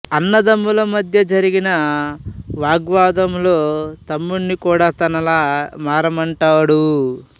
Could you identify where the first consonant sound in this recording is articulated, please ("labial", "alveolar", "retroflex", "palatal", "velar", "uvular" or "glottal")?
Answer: alveolar